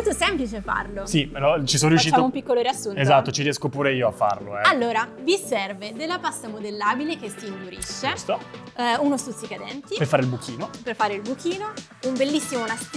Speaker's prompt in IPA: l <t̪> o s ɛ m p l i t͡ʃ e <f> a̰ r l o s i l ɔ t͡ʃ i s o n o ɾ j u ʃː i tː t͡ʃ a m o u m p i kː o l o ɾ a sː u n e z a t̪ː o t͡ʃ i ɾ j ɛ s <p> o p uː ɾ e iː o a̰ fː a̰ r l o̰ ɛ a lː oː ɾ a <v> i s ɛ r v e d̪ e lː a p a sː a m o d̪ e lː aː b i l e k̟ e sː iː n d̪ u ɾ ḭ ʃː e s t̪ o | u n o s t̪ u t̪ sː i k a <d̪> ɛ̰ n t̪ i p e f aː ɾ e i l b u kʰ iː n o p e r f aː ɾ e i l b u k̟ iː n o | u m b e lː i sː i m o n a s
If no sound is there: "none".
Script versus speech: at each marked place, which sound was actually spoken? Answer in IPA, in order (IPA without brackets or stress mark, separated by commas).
t̪, f, k, v, d̪